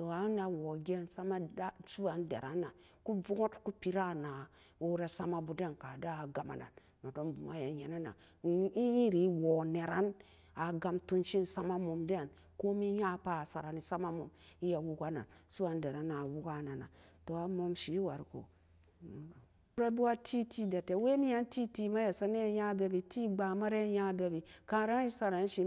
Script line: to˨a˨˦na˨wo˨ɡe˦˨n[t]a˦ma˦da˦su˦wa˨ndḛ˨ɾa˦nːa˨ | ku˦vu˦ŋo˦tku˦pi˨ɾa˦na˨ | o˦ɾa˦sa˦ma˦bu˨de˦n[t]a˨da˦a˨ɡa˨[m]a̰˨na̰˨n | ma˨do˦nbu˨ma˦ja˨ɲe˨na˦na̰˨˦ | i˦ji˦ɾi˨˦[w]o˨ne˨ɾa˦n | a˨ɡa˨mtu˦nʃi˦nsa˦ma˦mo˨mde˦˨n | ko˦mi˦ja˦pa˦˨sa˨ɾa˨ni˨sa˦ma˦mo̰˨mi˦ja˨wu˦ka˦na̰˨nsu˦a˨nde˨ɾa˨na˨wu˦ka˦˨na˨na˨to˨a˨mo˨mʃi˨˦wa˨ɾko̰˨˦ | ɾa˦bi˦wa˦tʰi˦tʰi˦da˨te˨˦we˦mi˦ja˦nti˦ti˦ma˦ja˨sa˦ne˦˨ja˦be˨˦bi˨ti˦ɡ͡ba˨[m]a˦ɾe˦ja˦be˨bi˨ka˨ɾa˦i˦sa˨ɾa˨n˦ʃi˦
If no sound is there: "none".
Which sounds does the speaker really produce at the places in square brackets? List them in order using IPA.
s, k, m, w, m

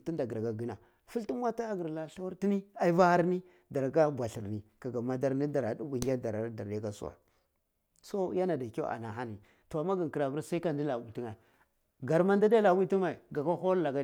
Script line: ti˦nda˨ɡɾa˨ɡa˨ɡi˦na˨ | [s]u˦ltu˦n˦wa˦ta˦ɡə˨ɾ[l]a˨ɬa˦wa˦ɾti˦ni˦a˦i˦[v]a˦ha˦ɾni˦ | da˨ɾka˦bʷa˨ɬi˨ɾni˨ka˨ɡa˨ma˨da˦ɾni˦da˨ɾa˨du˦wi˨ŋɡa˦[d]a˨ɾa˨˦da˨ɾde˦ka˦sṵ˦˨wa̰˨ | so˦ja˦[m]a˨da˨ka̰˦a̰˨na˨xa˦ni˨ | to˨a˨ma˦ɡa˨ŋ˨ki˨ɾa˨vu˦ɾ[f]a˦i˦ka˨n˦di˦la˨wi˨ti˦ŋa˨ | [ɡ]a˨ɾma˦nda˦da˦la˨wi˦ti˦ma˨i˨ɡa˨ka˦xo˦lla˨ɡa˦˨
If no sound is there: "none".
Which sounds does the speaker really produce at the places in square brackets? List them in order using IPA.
f, l, v, d, n, s, ɡ

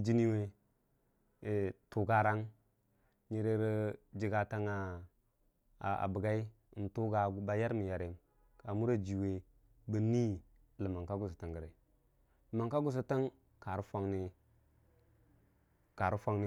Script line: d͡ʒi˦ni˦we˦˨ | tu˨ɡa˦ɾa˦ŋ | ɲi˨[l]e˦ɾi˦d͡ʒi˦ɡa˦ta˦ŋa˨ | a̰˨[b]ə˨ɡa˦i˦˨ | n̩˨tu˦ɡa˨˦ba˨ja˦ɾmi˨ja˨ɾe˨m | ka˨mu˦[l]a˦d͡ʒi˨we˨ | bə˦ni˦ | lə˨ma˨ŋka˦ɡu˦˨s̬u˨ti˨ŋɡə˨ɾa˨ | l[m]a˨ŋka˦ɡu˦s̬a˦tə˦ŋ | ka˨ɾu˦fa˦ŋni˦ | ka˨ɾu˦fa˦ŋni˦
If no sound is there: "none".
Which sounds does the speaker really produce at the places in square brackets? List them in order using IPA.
ɾ, b, ɾ, m

